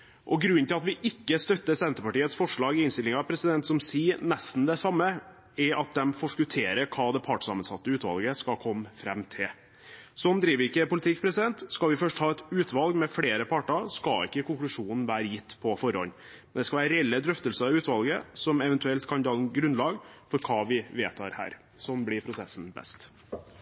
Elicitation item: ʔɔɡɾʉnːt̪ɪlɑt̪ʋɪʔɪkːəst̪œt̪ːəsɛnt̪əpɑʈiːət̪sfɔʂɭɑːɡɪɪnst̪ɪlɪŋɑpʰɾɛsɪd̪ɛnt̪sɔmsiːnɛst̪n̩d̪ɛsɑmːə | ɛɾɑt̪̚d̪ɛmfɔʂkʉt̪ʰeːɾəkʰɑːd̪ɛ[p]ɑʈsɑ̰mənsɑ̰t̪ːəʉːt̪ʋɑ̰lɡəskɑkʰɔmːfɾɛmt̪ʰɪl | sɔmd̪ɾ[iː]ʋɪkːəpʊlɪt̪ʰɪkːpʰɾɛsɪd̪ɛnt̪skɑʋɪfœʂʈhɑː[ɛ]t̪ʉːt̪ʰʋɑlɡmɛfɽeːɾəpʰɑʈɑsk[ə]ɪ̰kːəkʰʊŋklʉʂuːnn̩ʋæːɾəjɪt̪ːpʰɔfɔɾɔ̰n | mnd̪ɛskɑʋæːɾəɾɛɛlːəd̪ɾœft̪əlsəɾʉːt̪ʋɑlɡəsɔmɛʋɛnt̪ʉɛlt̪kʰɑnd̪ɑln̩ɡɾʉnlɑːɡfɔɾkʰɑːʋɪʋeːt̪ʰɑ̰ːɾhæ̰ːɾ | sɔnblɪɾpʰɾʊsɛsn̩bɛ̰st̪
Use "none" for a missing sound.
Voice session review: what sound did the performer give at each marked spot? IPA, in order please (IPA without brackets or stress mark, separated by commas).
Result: pʰ, iː, ɛ, ɑ